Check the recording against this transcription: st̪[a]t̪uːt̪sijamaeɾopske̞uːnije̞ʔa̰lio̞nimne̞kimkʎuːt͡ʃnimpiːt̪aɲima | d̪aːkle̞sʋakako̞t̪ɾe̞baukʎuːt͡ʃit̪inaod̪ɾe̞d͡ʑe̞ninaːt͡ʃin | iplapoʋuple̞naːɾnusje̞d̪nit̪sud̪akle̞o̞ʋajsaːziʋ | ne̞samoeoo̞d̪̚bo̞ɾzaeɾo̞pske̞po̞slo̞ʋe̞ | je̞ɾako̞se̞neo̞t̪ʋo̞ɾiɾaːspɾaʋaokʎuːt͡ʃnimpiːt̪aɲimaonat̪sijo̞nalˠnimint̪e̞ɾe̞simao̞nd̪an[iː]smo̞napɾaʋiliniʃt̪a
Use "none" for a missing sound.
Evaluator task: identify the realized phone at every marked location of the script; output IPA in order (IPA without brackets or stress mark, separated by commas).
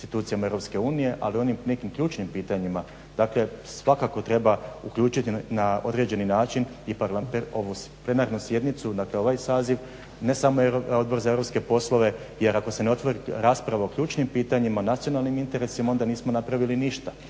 i, iː